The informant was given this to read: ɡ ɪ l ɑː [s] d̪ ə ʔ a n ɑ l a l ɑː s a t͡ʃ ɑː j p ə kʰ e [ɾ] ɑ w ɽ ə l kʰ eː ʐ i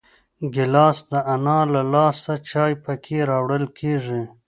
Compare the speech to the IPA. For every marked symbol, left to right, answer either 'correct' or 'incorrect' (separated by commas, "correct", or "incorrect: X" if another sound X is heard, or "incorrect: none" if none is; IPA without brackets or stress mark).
correct, correct